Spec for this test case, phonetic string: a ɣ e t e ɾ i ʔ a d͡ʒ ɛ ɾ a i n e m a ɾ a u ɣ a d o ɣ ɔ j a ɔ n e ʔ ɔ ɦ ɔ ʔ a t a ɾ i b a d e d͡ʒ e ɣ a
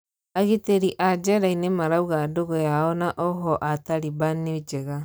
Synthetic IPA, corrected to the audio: a ɣ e t e ɾ i ʔ a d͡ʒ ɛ ɾ a i n e m a ɾ a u ɣ a d o ɣ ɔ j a ɔ n a ʔ ɔ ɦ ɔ ʔ a t a ɾ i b a n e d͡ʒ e ɣ a

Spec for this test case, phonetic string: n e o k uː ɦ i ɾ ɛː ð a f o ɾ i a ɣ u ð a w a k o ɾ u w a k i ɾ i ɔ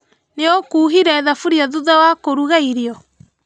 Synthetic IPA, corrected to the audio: n e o k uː ɦ i ɾ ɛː ð a f u ɾ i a ð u ð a w a k o ɾ u ɣ a i ɾ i ɔ

